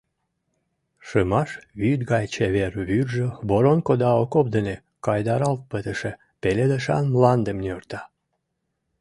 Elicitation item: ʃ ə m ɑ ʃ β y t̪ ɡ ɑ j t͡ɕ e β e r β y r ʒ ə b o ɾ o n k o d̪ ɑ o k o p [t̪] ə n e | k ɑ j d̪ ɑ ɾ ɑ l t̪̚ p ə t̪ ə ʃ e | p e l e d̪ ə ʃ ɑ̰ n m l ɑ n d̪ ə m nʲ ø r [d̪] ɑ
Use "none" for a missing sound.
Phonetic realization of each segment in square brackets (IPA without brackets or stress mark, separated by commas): d̪, t̪